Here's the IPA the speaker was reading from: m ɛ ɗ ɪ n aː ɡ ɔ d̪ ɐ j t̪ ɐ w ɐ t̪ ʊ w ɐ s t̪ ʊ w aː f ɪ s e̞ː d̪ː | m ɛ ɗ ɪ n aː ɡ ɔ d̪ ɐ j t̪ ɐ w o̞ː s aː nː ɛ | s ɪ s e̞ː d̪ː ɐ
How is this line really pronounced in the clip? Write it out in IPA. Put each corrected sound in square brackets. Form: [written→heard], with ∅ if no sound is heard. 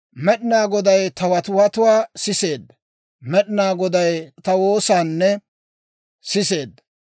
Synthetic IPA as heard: m ɛ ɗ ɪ n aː ɡ ɔ d̪ ɐ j t̪ ɐ w ɐ t̪ ʊ w ɐ [s→∅] t̪ ʊ w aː [f→s] ɪ s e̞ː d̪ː | m ɛ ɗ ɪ n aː ɡ ɔ d̪ ɐ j t̪ ɐ w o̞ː s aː nː ɛ | s ɪ s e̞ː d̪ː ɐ